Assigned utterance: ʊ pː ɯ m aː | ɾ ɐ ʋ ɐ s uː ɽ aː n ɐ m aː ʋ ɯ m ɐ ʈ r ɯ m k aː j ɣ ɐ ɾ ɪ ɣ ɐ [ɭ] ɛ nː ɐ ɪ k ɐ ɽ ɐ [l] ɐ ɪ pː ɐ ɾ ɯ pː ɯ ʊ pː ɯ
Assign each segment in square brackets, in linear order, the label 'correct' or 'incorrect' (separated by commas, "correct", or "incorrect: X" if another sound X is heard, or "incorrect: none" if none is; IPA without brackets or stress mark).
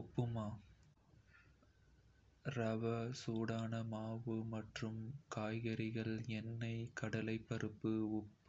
correct, correct